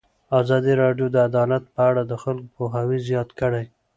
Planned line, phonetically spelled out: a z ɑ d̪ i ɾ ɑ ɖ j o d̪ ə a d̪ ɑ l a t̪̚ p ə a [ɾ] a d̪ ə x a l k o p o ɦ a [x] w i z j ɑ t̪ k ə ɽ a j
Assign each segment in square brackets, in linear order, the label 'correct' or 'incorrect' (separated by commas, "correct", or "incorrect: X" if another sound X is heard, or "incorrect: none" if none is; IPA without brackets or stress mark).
incorrect: ɽ, incorrect: none